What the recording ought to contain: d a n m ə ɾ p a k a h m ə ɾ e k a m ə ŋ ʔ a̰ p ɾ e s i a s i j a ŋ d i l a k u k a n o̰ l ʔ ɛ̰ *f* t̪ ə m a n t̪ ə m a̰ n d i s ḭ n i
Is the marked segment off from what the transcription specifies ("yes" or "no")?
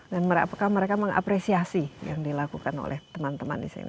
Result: yes